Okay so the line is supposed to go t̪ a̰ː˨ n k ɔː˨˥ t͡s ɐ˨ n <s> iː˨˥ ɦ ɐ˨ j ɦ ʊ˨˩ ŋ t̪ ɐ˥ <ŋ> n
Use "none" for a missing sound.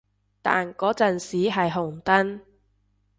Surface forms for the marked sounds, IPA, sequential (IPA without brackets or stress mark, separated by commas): s, none